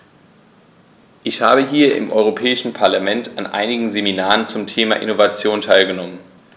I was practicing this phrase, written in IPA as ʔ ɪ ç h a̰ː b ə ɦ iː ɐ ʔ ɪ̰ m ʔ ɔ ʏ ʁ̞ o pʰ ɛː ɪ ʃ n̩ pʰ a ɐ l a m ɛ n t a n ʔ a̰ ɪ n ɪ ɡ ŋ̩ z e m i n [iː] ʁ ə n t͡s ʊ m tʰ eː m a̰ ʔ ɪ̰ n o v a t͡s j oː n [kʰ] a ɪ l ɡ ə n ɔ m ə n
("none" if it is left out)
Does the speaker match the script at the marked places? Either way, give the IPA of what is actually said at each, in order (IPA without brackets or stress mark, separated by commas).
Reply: aː, tʰ